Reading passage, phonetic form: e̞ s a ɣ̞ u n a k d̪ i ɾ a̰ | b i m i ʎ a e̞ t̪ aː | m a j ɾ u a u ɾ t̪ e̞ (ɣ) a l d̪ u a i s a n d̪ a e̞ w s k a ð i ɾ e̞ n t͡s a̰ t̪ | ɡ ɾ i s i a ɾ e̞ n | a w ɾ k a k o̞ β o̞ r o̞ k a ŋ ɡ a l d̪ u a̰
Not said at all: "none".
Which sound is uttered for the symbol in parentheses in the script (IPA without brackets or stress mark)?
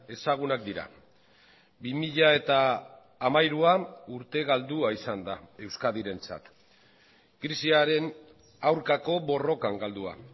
ɣ